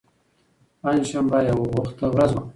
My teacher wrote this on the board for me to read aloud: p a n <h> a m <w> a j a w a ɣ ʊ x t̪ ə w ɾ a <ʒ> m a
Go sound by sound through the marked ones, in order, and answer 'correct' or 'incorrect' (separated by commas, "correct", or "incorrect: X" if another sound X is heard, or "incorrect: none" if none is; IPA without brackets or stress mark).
incorrect: ʃ, incorrect: b, incorrect: z